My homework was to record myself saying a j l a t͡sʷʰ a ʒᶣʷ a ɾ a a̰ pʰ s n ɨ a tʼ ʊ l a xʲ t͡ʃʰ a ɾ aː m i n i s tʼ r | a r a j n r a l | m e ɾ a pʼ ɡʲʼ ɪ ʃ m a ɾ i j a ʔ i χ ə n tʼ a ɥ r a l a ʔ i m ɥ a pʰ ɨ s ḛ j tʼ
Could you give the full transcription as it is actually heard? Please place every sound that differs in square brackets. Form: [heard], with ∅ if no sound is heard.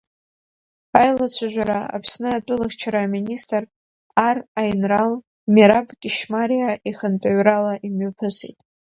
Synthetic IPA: a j l a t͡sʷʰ a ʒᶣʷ a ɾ a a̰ pʰ s n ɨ a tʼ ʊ l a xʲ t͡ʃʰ a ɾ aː m i n i s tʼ r | a r a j n r a l | m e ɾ a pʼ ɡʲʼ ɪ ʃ m a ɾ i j a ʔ i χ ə n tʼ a ɥ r a l a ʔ i m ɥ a pʰ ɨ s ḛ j tʼ